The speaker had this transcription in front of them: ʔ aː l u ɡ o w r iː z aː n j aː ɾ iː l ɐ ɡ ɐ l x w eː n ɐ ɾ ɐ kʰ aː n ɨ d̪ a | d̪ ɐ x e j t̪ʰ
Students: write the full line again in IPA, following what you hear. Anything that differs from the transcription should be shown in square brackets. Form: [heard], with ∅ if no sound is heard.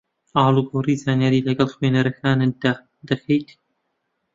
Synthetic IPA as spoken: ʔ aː l u ɡ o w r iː z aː n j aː ɾ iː l ɐ ɡ ɐ l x w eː n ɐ ɾ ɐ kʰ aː n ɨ d̪ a | d̪ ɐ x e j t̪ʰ